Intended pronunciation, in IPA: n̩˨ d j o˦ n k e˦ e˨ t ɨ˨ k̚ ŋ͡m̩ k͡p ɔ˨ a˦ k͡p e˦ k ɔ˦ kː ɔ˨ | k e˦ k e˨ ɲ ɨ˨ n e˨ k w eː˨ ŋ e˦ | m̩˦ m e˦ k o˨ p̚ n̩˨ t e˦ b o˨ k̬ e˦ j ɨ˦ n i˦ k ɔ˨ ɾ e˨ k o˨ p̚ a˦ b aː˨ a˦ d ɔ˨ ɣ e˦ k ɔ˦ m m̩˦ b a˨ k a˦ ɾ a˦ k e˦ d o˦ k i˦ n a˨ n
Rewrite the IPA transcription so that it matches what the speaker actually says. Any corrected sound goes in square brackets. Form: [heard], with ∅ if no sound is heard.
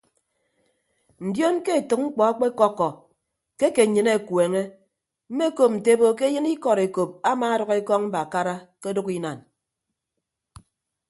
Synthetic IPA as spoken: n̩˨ d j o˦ n k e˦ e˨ t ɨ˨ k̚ ŋ͡m̩ k͡p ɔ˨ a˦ k͡p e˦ k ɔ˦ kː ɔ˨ | k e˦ k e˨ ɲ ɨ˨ n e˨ k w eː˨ ŋ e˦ | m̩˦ m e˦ k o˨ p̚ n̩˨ t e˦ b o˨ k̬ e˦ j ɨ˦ n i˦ k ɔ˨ ɾ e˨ k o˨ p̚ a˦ [m] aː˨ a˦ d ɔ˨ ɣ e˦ k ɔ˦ [ŋ] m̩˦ b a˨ k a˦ ɾ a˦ k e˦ d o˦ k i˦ n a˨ n